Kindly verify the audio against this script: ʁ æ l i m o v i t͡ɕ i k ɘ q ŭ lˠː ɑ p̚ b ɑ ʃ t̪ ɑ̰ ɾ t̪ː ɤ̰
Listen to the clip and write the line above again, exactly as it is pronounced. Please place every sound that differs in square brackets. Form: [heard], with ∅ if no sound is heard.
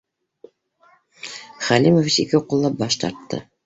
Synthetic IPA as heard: [χ] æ l i m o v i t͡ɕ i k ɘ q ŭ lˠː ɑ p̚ b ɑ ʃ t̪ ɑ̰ ɾ t̪ː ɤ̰

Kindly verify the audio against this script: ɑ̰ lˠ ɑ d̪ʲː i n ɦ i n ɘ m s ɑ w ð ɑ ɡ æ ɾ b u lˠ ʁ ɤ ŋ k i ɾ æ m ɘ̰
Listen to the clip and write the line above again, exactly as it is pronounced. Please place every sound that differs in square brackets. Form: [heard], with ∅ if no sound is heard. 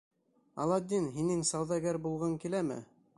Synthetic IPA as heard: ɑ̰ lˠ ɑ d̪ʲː i n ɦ i n ɘ [ŋ] s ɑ w ð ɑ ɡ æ ɾ b u lˠ ʁ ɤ ŋ k i [l] æ m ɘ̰

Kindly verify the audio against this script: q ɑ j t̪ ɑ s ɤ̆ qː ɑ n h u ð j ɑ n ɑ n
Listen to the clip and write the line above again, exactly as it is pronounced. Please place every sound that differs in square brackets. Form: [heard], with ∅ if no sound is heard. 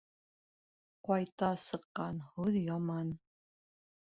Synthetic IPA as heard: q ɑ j t̪ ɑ s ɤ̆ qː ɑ n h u ð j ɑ [m] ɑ n

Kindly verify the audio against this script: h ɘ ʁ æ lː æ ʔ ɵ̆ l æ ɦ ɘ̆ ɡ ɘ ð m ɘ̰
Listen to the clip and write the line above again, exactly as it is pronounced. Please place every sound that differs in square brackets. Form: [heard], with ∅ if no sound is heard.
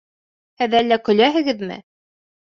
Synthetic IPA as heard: h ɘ [ð] æ lː æ [k] ɵ̆ l æ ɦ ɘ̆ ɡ ɘ ð m ɘ̰

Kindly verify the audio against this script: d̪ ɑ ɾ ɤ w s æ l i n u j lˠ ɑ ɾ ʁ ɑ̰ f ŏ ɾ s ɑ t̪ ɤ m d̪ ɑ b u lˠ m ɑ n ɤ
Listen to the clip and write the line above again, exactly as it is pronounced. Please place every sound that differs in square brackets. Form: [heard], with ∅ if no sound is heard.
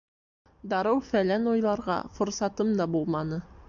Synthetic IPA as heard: d̪ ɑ ɾ ɤ w [f] æ l [æ] n u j lˠ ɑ ɾ ʁ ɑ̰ f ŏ ɾ s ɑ t̪ ɤ m d̪ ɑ b u lˠ m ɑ n ɤ

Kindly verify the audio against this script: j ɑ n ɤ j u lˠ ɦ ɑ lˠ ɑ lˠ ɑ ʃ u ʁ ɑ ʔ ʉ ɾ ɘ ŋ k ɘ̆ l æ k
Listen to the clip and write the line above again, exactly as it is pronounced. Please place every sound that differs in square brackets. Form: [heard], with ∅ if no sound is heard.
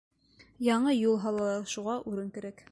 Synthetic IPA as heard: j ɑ [ɴ] ɤ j u lˠ ɦ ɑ lˠ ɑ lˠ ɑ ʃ u ʁ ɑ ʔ ʉ ɾ ɘ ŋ k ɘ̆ [ɾ] æ k

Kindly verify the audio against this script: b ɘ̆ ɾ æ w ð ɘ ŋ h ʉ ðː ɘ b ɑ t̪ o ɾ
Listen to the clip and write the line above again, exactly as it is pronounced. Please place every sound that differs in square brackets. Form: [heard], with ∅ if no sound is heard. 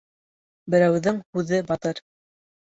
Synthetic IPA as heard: b ɘ̆ ɾ æ w ð ɘ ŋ h ʉ [ð] ɘ b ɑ t̪ [ɤ] ɾ

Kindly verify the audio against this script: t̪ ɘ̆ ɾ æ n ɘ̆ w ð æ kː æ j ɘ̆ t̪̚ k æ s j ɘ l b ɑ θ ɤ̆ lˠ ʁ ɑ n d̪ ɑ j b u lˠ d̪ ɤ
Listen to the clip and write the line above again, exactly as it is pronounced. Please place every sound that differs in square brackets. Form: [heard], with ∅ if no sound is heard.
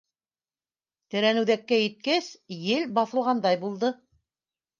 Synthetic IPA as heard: t̪ ɘ̆ ɾ æ n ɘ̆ w ð æ kː æ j ɘ̆ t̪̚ k æ s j ɘ l b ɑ θ ɤ̆ lˠ ʁ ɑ n d̪ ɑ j b u lˠ d̪ ɤ

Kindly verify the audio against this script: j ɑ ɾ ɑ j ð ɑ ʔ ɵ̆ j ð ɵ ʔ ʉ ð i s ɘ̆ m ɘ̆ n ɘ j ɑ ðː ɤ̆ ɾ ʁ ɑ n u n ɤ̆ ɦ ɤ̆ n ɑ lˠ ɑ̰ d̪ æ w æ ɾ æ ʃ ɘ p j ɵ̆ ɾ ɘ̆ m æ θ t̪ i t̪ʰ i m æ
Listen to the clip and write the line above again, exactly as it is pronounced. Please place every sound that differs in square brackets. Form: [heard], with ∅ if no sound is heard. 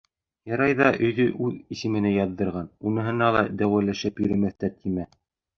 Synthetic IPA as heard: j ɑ ɾ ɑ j ð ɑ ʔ ɵ̆ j ð ɵ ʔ ʉ ð i s ɘ̆ m ɘ̆ n ɘ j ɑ ðː ɤ̆ ɾ ʁ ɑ n u n ɤ̆ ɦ ɤ̆ n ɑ lˠ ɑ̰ d̪ æ w æ [l] æ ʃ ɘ p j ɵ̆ ɾ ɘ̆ m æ θ t̪ [æ] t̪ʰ i m æ

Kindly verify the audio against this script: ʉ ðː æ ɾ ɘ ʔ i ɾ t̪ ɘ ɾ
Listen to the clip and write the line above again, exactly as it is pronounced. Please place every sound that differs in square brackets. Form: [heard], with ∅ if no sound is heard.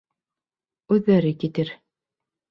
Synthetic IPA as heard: ʉ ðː æ ɾ ɘ [k] i [∅] t̪ ɘ ɾ

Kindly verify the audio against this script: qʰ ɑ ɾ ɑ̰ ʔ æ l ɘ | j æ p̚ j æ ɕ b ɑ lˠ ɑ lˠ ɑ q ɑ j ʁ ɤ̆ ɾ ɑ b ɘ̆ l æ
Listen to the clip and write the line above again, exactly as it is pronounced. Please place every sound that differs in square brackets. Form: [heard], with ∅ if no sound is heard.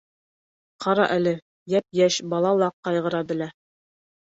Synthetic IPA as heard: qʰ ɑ ɾ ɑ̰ ʔ æ l ɘ | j æ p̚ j æ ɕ b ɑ lˠ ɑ lˠ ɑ q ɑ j ʁ ɤ̆ ɾ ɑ b ɘ̆ l æ

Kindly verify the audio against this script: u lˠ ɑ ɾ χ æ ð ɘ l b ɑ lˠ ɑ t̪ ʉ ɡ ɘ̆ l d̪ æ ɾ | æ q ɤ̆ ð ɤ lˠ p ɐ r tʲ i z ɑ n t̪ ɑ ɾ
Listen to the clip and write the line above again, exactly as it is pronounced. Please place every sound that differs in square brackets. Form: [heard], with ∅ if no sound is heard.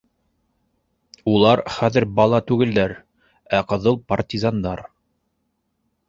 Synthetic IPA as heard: u lˠ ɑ ɾ χ æ ð ɘ [ɾ] b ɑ lˠ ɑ t̪ ʉ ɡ ɘ̆ l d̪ æ ɾ | æ q ɤ̆ ð ɤ lˠ p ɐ r tʲ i z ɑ n [d̪] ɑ ɾ

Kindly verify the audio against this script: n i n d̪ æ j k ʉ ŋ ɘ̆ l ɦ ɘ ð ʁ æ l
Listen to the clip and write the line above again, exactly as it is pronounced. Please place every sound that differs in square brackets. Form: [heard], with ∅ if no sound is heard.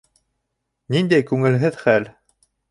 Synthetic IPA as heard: n i n d̪ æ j k ʉ ŋ ɘ̆ l ɦ ɘ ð [χ] æ l

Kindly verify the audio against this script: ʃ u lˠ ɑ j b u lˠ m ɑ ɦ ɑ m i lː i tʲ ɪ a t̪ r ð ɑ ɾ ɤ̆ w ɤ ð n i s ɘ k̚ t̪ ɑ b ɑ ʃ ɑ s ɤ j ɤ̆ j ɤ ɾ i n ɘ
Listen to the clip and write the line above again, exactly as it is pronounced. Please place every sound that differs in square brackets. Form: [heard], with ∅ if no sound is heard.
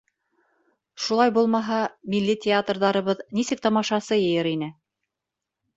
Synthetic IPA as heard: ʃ u lˠ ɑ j b u lˠ m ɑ ɦ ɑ m i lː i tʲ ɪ a t̪ r ð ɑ ɾ ɤ̆ [β] ɤ ð n i s ɘ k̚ t̪ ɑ [m] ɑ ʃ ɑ s ɤ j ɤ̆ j ɤ ɾ i n ɘ

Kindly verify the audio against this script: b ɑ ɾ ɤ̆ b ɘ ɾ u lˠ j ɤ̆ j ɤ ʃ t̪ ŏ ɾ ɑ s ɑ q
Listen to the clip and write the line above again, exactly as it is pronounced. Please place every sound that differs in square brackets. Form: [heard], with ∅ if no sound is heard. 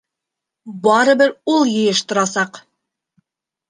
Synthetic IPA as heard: b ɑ ɾ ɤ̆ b ɘ ɾ u lˠ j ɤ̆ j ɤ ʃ t̪ ŏ ɾ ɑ s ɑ q

